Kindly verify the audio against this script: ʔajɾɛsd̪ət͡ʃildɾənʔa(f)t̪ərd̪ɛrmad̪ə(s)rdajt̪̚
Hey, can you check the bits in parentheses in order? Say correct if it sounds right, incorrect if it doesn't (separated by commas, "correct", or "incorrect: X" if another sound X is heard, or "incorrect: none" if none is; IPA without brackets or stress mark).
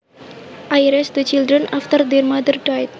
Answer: correct, incorrect: none